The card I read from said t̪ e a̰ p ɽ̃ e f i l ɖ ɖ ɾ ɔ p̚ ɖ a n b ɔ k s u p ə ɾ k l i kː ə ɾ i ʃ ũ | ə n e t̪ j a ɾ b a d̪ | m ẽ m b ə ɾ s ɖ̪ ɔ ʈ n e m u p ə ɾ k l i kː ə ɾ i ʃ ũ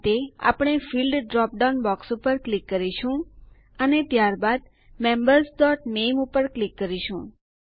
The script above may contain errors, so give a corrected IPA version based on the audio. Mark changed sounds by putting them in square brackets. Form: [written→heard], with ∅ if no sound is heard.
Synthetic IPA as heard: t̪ e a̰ p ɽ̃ e f i l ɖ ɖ ɾ ɔ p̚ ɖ a n b ɔ k s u p ə ɾ k l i kː ə ɾ i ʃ ũ | ə n e t̪ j a ɾ b a d̪ | m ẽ m b ə ɾ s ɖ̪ ɔ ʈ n e m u p ə ɾ k l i kː ə ɾ i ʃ ũ